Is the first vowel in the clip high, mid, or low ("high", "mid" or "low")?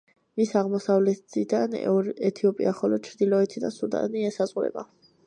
high